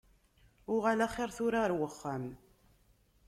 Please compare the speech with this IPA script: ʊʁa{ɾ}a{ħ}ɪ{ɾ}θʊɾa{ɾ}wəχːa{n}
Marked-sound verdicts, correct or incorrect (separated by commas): incorrect, incorrect, correct, correct, incorrect